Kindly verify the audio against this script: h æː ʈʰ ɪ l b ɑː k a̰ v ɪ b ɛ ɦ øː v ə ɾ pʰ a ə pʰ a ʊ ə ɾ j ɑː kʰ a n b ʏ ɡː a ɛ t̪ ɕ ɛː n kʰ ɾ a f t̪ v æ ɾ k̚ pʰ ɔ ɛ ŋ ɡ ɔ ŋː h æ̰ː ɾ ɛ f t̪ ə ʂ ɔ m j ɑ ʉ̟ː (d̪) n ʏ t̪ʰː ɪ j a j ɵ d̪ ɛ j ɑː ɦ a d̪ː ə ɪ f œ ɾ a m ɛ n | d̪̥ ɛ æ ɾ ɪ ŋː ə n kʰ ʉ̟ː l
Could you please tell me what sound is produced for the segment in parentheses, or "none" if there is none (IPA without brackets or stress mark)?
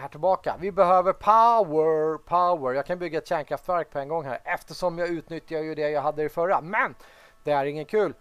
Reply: t̪